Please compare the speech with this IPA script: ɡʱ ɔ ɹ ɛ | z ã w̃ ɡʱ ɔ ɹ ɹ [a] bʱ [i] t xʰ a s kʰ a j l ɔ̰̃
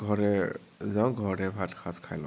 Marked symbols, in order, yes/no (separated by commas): no, no